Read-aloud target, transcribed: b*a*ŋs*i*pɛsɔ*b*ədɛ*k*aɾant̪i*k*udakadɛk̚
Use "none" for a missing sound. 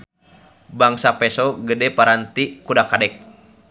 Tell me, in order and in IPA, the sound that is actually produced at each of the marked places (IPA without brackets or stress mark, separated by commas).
a, a, ɡ, p, k